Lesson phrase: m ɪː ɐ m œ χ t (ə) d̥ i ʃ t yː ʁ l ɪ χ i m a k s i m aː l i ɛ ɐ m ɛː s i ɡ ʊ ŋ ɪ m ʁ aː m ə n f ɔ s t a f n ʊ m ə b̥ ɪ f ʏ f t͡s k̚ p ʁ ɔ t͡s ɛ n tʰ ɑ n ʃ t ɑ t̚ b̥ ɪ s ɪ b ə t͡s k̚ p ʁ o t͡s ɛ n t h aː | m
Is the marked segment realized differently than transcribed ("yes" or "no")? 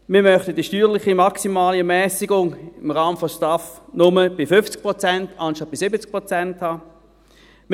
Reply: no